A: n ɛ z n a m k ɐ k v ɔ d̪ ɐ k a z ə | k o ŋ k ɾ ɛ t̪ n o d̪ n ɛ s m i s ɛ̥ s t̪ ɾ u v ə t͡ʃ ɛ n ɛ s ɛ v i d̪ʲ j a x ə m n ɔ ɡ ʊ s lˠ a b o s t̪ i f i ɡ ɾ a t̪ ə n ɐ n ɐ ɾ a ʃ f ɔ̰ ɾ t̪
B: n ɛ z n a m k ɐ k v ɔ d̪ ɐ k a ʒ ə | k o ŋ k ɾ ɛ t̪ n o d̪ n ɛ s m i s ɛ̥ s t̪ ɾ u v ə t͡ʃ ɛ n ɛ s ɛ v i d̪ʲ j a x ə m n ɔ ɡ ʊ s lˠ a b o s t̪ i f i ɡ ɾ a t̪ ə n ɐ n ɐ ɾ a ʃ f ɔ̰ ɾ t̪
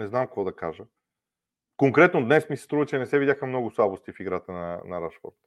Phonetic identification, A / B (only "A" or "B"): B